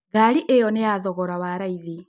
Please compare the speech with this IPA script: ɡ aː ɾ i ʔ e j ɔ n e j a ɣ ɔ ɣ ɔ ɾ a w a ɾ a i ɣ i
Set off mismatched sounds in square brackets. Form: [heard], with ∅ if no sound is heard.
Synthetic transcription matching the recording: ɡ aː ɾ i ʔ e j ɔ n e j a [ð] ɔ ɣ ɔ ɾ a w a ɾ a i [ð] i